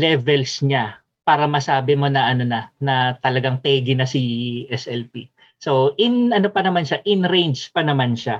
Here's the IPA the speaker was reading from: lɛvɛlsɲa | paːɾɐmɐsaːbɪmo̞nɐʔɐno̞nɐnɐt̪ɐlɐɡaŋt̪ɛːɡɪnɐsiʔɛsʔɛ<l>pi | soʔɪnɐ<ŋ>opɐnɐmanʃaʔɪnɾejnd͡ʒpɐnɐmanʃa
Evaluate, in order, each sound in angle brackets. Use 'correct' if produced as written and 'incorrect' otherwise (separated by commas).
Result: correct, incorrect